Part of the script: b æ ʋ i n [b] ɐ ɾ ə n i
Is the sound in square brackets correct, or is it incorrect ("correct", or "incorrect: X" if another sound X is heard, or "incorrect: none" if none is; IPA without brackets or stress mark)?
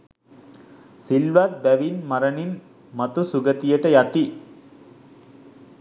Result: incorrect: m